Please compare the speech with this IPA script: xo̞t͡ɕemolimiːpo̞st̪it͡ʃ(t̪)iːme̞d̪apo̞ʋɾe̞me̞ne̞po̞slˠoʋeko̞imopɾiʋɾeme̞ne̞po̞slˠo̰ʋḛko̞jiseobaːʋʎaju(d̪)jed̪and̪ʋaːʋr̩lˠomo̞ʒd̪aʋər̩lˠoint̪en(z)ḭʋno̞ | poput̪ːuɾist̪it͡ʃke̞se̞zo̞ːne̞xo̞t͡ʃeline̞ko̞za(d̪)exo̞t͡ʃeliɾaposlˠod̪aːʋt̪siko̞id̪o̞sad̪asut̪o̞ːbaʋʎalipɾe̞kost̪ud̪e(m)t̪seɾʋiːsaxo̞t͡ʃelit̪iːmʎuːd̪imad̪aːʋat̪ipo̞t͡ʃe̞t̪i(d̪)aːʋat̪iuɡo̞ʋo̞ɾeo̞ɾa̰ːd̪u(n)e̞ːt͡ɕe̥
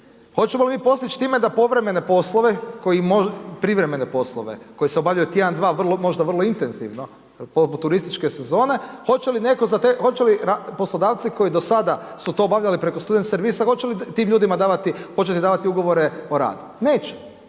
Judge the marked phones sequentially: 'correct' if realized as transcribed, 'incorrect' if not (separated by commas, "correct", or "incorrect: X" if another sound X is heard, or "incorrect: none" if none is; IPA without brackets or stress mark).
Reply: correct, incorrect: t̪, correct, incorrect: t̪, incorrect: n, correct, correct